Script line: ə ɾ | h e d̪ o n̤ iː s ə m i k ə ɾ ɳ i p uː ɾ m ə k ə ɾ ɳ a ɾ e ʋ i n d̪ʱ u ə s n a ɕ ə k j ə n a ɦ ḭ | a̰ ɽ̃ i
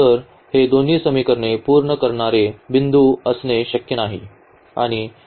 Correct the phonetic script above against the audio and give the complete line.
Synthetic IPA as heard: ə ɾ | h e d̪ o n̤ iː s ə m i k ə ɾ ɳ e p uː ɾ ɳ ə k ə ɾ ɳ a ɾ e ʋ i n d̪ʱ u ə s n e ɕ ə k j ə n a ɦ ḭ | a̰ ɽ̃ i